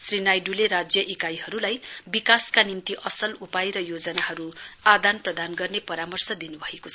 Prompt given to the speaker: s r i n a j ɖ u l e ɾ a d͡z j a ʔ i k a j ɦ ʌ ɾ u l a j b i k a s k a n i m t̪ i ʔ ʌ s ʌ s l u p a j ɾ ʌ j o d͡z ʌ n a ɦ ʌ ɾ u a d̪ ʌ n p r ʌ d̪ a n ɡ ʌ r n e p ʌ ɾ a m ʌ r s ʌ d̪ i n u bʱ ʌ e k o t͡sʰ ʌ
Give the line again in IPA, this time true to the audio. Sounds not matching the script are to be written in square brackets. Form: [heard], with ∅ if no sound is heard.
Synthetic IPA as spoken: s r i n a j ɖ u l e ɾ a d͡z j [ʌ] ʔ i k a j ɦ ʌ ɾ u l a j b i k a s k a n i m t̪ i ʔ ʌ s ʌ [∅] l u p a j ɾ ʌ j o d͡z ʌ n a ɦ ʌ ɾ u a d̪ [a] n p r ʌ d̪ a n ɡ ʌ r n e p ʌ ɾ a m ʌ r s ʌ d̪ i n u bʱ ʌ e k o t͡sʰ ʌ